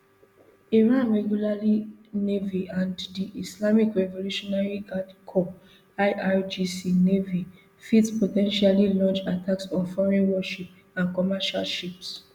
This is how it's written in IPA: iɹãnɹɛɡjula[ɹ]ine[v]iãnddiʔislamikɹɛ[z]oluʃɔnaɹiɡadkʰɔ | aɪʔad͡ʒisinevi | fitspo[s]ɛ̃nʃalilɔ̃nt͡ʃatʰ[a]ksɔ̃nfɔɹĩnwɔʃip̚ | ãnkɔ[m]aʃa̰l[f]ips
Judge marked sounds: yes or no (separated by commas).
no, yes, no, no, yes, yes, no